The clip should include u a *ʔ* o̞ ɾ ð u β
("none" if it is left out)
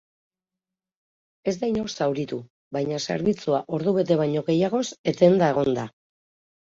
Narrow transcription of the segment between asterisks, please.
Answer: ʔ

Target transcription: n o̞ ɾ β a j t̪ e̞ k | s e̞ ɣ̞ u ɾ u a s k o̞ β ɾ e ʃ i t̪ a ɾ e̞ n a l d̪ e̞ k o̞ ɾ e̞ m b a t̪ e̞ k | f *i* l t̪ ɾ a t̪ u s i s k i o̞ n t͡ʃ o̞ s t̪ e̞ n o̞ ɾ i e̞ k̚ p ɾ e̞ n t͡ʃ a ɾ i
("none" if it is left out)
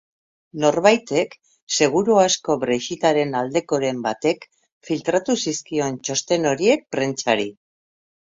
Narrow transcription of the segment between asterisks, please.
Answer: i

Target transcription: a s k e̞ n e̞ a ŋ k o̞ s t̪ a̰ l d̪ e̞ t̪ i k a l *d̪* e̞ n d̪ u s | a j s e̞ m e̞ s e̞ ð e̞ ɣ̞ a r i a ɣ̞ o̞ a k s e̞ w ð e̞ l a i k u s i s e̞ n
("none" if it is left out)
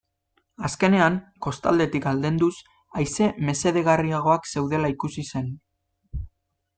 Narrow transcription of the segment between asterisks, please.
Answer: d̪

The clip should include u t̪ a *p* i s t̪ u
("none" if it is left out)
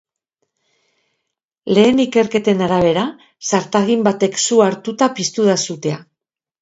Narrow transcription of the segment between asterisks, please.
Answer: p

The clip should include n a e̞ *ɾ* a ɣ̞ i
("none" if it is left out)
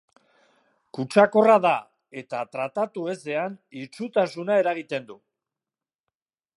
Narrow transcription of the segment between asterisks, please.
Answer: ɾ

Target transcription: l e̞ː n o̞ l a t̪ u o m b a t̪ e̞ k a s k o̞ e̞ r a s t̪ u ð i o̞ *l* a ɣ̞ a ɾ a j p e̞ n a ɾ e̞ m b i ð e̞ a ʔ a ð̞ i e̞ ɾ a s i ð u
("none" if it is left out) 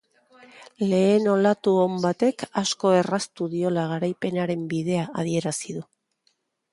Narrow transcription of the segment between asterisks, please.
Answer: l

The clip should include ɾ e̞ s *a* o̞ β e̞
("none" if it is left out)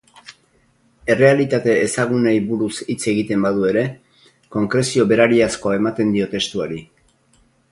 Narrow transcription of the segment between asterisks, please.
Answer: i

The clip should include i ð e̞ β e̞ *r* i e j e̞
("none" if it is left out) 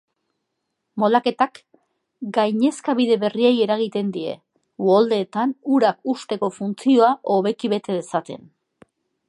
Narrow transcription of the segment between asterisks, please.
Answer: r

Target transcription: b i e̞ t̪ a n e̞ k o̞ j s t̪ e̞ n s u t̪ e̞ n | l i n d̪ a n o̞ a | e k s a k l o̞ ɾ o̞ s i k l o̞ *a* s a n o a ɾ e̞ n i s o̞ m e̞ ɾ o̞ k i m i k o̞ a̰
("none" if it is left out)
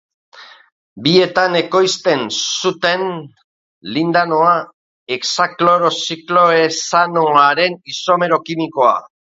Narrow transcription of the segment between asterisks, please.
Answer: e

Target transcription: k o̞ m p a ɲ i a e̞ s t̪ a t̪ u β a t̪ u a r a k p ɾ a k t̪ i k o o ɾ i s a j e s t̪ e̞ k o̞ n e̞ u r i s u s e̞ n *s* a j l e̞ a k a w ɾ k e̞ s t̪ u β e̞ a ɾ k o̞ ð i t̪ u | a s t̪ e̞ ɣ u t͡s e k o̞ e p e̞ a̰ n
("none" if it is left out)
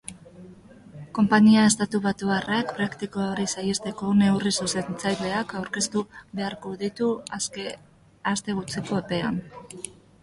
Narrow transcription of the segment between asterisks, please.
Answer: t͡s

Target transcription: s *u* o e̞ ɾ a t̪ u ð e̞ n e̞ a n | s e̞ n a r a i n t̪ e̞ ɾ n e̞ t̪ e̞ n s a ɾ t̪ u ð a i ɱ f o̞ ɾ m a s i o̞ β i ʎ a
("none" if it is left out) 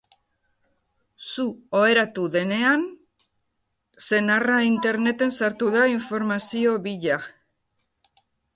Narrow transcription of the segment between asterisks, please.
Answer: u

